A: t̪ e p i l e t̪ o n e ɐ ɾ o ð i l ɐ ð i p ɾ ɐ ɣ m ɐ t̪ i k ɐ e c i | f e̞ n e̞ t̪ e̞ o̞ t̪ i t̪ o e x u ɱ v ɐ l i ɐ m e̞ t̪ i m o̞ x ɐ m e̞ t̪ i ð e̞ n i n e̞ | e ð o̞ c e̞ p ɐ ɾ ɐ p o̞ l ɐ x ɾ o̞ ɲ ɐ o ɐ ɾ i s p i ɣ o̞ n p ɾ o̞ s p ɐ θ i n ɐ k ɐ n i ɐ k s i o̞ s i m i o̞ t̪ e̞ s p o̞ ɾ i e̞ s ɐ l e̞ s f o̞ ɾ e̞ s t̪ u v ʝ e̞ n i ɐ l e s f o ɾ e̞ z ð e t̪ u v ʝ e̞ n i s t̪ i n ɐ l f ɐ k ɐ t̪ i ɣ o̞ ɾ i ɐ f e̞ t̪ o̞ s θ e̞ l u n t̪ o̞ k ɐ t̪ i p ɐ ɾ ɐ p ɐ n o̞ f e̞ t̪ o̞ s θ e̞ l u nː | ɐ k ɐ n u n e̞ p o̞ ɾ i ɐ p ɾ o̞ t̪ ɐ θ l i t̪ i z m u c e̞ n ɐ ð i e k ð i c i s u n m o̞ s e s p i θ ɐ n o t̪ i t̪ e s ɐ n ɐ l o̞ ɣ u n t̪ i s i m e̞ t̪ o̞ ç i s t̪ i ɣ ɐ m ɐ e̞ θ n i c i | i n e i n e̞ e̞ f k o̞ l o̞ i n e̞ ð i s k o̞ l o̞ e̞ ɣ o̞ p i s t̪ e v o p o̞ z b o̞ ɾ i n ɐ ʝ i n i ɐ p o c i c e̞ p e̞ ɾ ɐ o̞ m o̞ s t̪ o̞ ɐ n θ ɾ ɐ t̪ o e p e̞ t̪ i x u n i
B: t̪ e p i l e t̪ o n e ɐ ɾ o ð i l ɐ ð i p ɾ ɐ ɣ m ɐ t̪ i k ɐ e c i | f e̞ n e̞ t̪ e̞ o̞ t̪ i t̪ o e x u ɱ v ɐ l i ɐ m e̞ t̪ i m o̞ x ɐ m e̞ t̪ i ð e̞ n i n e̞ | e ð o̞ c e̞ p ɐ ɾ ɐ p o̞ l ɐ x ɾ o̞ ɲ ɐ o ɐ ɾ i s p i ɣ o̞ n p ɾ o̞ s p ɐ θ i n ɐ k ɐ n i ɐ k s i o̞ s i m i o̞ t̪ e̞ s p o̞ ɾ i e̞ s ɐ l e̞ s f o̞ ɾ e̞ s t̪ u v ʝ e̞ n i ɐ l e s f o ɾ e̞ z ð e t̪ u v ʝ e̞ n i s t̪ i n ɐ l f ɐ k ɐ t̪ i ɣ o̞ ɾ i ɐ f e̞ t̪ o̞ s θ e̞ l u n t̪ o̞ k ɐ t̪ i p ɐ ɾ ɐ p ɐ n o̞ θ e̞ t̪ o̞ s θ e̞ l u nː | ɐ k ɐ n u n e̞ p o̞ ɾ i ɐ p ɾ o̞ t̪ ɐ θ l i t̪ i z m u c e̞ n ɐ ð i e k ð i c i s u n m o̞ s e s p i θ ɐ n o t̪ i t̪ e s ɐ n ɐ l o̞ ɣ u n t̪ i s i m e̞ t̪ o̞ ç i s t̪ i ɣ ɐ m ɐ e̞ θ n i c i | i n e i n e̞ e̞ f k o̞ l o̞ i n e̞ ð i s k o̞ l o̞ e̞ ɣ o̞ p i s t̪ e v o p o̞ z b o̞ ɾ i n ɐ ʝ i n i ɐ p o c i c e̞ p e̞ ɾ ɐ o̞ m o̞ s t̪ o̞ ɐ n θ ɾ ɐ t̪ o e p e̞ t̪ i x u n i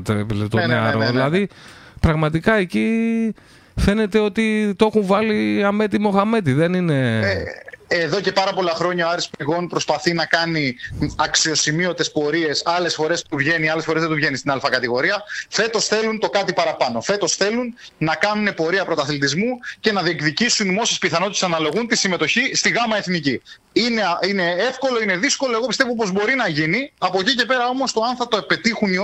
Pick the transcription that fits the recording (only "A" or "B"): A